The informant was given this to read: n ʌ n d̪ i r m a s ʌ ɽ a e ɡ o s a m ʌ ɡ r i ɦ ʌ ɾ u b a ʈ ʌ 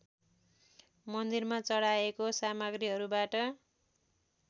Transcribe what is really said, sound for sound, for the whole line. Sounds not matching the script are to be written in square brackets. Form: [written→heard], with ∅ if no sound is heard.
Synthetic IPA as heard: [n→m] ʌ n d̪ i r m a [s→t͡s] ʌ ɽ a e [ɡ→k] o s a m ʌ ɡ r i ɦ ʌ ɾ u b a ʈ ʌ